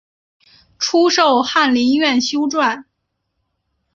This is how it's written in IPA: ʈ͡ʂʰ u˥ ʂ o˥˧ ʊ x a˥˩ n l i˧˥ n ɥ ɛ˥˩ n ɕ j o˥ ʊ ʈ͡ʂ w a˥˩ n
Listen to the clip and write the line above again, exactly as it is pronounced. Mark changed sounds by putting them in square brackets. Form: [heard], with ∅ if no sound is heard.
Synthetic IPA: ʈ͡ʂʰ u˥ ʂ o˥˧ ʊ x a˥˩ n l i˧˥ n ɥ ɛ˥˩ n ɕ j o˥ ʊ ʈ͡ʂ w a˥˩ n